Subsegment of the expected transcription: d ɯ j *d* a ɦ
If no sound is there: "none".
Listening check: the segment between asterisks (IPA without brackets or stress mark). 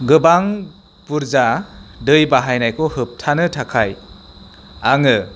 b